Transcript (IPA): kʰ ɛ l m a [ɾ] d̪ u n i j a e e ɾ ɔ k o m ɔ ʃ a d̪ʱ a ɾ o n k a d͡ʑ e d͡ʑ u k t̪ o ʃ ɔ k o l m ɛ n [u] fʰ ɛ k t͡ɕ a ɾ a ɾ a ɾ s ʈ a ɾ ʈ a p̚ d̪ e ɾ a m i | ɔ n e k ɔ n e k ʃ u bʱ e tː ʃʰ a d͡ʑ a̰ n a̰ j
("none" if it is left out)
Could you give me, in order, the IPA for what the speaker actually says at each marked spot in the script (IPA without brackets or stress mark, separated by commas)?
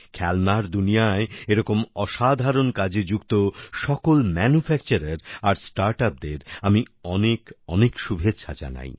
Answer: ɾ, u